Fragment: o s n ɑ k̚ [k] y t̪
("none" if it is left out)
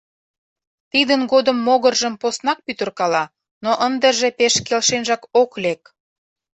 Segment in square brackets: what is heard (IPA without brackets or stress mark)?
p